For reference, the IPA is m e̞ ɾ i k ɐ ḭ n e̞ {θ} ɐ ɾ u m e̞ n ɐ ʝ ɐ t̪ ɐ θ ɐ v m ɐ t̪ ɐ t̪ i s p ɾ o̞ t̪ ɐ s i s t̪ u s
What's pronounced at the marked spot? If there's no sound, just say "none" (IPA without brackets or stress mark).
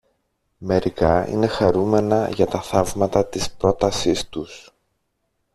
x